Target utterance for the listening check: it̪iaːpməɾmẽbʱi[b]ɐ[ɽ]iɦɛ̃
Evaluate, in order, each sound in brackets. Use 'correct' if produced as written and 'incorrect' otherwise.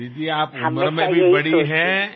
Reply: correct, correct

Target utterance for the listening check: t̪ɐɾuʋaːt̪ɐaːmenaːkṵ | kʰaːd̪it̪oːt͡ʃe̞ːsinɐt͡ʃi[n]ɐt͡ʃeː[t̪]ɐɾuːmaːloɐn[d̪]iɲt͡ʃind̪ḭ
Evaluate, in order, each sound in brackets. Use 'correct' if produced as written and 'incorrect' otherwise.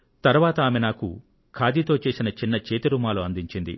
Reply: incorrect: nː, correct, correct

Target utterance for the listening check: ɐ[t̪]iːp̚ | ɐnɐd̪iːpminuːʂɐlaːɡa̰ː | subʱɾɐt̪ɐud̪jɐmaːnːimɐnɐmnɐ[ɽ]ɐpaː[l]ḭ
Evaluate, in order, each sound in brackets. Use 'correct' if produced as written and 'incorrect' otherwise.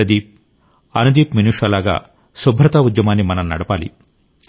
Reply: incorrect: d̪, correct, correct

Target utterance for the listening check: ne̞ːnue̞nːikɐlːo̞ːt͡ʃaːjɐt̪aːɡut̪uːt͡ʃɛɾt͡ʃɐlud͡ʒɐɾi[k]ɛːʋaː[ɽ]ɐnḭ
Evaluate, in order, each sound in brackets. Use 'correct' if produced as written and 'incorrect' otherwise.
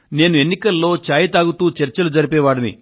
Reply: incorrect: p, correct

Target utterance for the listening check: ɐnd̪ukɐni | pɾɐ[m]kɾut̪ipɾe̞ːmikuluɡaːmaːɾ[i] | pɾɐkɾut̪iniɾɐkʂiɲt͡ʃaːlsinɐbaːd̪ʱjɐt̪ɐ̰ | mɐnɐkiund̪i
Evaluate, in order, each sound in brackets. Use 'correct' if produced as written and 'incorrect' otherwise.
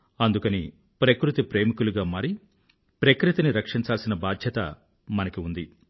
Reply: incorrect: none, correct

